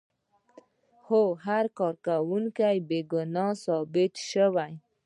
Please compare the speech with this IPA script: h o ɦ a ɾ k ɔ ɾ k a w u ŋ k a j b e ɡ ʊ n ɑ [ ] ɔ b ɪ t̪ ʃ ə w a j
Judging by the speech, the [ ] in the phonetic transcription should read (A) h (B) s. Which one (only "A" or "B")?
B